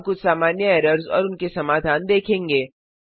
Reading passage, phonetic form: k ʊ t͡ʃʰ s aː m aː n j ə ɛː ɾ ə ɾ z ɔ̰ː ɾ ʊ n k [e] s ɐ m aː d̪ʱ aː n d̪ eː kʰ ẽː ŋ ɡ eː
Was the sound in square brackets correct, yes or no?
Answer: yes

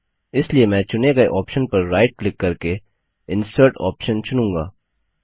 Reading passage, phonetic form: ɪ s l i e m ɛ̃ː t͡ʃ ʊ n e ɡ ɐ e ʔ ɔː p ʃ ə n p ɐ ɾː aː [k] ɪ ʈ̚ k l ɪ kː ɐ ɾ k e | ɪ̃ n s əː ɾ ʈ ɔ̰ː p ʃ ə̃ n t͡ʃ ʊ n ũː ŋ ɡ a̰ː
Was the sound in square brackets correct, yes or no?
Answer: no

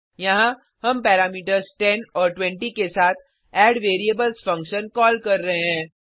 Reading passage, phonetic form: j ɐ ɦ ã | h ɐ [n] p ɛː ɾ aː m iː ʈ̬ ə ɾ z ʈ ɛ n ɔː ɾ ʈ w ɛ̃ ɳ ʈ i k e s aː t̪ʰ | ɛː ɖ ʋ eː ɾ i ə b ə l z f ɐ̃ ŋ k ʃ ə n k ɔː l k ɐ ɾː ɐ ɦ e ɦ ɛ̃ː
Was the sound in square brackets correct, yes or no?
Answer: no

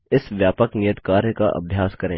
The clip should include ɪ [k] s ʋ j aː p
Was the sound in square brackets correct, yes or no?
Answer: no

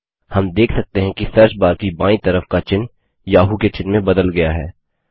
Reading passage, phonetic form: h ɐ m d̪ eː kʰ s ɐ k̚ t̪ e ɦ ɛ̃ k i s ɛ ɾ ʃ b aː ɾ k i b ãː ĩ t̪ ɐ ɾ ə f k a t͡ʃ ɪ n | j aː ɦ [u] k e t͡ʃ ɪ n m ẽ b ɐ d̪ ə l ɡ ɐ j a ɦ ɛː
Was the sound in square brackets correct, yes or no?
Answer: yes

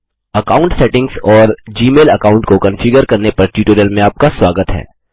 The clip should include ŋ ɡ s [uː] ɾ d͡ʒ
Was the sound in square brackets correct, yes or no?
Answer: no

